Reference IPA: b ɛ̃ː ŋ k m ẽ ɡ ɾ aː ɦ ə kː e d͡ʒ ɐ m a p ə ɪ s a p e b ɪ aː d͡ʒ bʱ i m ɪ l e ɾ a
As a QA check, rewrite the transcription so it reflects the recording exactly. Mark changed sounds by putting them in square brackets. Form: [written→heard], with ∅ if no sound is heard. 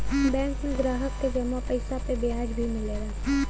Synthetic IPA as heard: b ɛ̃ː ŋ k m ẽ ɡ ɾ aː ɦ ə kː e d͡ʒ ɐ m a p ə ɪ s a p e b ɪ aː d͡ʒ bʱ i m ɪ l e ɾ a